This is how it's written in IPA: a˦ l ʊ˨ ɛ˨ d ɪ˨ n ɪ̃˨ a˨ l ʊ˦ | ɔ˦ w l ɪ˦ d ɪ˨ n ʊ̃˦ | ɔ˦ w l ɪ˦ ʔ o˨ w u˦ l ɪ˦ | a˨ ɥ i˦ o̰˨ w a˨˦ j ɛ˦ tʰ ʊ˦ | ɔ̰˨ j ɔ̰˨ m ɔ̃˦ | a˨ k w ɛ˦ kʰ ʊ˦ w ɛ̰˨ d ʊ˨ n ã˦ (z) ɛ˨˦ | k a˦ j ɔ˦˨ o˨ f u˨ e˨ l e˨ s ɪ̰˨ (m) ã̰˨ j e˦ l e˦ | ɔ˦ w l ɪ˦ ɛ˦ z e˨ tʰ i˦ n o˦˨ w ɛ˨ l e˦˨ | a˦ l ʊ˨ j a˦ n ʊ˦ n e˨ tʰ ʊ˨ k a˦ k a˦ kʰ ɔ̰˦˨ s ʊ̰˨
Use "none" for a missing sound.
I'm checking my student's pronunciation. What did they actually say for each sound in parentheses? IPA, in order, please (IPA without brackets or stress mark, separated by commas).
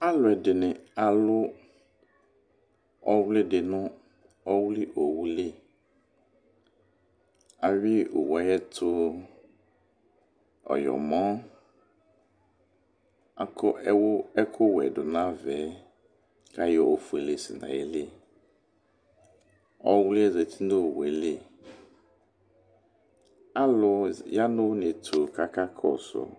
v, n